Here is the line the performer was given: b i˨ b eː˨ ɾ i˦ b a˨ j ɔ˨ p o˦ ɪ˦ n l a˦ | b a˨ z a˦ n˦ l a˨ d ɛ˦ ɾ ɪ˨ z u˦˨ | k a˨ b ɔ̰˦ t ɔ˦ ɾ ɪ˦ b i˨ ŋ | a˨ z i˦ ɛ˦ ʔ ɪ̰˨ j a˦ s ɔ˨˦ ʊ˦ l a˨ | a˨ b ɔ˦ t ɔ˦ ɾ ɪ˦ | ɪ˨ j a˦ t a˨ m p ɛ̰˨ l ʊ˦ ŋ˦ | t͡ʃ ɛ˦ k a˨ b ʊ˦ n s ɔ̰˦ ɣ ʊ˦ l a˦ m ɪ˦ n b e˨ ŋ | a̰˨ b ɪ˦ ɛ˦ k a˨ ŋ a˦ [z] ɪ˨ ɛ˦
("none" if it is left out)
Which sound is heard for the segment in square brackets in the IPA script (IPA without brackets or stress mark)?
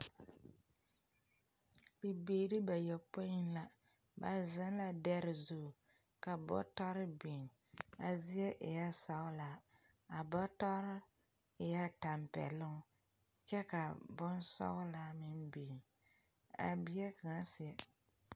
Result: s